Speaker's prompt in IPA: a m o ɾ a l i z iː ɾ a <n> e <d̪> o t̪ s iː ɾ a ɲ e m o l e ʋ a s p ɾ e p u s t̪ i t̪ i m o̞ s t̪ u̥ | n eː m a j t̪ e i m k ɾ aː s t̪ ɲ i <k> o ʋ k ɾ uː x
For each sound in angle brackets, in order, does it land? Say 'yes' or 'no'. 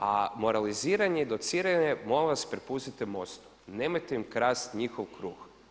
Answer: no, yes, no

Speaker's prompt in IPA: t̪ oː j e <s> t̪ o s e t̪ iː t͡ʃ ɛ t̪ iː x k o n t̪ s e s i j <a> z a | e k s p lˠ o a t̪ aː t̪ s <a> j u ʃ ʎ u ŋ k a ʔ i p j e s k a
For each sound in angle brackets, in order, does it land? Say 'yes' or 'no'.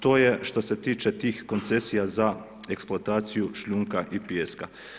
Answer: no, yes, no

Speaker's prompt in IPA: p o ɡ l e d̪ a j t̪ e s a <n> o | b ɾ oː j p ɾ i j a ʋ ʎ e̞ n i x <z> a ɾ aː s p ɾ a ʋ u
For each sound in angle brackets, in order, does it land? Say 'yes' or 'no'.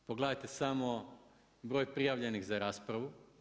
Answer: no, yes

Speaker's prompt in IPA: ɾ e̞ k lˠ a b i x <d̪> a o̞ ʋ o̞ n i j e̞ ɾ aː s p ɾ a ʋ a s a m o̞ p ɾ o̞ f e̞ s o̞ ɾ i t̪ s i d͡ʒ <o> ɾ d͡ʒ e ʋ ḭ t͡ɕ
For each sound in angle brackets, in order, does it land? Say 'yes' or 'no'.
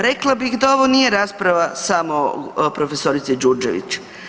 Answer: yes, no

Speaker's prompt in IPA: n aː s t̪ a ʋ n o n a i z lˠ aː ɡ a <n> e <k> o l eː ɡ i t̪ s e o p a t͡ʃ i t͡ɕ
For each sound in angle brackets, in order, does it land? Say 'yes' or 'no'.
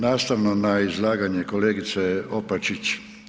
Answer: no, yes

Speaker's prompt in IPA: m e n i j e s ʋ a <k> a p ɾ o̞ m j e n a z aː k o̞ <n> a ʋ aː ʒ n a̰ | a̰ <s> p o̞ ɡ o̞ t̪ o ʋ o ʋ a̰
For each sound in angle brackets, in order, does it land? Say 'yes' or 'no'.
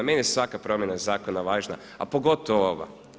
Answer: yes, yes, no

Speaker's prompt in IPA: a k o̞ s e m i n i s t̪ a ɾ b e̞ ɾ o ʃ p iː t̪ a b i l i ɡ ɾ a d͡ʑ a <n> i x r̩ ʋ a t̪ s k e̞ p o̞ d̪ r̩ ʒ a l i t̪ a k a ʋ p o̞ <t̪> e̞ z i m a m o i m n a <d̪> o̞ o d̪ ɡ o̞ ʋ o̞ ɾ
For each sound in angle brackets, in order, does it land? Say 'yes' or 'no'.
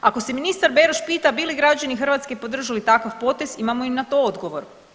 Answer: yes, yes, no

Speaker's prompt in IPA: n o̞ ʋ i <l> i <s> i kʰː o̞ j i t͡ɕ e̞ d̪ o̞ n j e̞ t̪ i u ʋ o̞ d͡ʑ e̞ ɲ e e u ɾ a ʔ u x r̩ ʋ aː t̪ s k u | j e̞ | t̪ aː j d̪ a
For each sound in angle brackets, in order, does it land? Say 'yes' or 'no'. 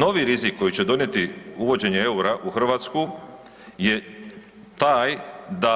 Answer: no, no

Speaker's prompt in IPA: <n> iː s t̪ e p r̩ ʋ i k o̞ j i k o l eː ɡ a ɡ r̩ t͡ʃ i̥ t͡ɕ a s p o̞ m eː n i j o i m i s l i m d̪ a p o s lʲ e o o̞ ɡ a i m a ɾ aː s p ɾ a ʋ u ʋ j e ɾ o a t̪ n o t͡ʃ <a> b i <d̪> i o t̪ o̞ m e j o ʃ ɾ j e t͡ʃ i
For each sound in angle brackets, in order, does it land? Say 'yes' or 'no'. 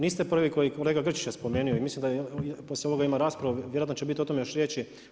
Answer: yes, no, no

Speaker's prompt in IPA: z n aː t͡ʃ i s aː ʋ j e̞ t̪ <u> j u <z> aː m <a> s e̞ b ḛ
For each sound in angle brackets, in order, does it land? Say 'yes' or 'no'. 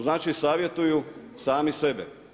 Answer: yes, no, no

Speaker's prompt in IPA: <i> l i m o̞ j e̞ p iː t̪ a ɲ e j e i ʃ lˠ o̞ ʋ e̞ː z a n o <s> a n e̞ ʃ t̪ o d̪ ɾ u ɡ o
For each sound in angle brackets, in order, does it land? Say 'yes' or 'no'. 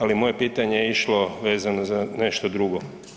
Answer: no, no

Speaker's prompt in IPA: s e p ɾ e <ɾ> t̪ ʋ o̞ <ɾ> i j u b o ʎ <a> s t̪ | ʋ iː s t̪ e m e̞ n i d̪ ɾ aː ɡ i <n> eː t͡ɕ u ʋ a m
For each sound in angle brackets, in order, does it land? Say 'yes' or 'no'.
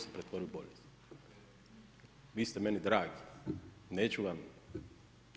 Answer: no, yes, no, yes

